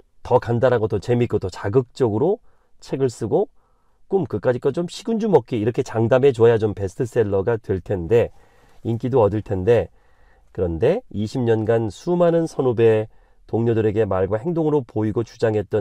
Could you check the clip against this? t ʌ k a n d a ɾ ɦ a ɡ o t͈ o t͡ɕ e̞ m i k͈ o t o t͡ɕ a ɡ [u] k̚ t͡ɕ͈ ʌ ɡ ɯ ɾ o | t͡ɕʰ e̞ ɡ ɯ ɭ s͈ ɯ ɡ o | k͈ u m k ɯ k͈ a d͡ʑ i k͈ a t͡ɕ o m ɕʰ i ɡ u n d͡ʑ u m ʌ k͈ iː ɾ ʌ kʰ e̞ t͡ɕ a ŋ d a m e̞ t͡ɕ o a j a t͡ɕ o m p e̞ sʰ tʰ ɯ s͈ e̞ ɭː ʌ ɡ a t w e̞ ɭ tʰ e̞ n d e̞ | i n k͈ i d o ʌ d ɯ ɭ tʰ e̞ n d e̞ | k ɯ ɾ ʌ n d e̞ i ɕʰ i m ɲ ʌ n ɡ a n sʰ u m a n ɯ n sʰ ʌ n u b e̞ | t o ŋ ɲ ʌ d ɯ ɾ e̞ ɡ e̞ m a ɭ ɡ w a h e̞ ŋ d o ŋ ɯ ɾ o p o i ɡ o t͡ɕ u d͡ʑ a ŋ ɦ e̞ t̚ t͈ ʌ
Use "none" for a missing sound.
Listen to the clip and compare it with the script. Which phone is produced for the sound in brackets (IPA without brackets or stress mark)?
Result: ɯ